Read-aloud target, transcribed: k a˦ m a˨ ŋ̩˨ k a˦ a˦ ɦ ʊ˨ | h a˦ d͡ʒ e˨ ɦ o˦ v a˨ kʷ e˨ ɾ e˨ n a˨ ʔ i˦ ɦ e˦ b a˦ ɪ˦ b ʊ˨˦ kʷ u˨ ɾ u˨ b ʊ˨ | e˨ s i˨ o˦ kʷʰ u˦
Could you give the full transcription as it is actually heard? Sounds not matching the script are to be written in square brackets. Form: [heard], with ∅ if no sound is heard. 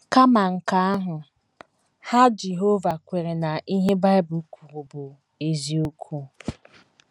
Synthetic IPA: k a˦ m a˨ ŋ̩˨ k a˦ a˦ ɦ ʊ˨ | h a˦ d͡ʒ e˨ ɦ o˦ v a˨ kʷ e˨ ɾ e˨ n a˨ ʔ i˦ ɦ e˦ b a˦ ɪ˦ b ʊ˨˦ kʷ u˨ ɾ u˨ b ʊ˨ | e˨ [z] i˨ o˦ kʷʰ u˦